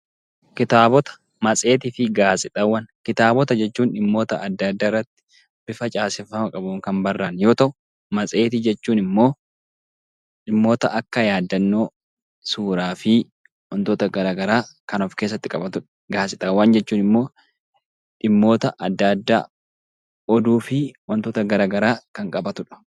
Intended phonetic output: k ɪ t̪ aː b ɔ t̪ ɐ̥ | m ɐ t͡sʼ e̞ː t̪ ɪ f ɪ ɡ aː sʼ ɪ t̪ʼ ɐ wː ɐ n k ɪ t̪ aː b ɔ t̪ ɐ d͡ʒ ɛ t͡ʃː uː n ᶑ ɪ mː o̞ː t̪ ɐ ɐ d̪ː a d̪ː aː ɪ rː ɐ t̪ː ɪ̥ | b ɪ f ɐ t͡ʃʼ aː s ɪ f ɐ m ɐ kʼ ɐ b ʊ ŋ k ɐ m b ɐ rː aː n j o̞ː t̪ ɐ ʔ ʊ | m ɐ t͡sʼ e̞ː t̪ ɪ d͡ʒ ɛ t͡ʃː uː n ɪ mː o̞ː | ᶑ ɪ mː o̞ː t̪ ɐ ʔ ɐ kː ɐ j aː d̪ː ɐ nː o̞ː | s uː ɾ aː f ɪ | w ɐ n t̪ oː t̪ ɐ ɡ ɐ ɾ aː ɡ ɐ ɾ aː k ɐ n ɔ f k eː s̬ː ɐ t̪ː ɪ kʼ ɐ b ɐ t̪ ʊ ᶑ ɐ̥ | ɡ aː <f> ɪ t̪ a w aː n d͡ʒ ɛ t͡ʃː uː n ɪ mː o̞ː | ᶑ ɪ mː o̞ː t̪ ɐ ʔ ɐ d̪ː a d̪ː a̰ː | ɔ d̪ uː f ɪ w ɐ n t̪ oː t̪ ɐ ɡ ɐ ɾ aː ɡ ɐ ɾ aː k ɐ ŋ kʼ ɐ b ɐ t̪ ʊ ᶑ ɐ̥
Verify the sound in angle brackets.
incorrect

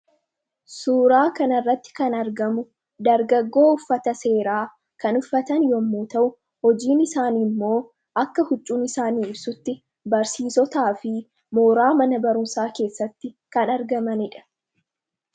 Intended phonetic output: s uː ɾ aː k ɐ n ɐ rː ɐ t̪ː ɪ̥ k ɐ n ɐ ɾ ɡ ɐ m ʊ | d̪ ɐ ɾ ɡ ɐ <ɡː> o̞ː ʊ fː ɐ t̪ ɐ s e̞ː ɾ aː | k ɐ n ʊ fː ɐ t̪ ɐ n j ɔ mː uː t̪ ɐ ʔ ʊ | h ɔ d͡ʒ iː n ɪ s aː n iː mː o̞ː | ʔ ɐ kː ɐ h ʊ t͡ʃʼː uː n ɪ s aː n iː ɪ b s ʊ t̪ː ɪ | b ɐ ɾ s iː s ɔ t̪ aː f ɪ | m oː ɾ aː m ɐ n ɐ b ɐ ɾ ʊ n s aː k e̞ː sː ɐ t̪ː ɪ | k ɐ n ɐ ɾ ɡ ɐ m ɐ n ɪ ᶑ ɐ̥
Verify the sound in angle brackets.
correct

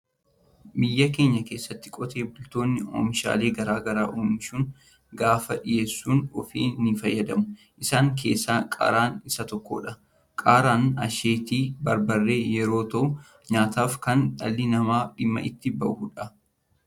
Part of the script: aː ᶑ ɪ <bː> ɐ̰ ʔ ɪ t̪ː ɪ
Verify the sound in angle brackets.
incorrect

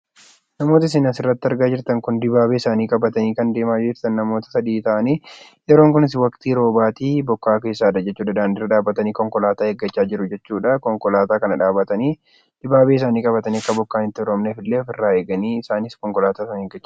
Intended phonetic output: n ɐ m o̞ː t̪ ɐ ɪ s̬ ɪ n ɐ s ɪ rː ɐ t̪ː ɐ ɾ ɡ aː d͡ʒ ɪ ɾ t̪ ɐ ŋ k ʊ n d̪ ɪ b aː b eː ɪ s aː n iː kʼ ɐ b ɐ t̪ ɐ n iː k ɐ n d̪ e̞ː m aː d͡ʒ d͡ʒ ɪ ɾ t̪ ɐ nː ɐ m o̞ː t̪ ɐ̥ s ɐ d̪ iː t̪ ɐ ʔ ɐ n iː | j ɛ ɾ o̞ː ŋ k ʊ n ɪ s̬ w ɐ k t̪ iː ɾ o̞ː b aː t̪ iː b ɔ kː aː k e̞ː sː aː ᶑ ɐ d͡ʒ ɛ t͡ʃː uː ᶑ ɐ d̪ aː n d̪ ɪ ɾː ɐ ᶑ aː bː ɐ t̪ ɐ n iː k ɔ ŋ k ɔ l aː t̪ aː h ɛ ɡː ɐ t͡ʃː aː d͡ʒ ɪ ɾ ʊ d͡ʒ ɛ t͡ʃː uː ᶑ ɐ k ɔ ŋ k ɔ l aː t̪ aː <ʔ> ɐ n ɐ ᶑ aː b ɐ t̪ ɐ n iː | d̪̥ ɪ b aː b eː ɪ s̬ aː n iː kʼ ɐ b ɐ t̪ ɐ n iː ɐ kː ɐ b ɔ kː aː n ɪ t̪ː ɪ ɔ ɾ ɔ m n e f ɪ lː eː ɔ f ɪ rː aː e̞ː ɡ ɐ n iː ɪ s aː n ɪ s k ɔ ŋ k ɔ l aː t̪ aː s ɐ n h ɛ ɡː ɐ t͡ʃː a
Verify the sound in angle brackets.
incorrect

